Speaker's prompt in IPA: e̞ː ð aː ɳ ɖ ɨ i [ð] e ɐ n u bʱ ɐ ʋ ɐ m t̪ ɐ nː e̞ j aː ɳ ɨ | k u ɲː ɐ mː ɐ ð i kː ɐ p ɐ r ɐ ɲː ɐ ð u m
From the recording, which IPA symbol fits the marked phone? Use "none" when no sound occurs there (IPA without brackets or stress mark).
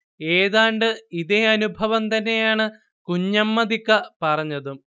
ð